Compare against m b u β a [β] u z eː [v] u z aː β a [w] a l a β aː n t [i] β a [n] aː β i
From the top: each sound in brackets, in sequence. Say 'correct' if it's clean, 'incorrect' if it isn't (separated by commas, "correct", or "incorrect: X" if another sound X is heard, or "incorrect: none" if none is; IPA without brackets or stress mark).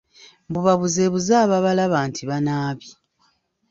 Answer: correct, incorrect: β, incorrect: β, correct, correct